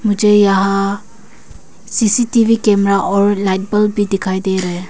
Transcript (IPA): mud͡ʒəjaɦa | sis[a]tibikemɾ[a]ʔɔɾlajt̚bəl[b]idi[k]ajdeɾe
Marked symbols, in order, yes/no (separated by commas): no, yes, yes, no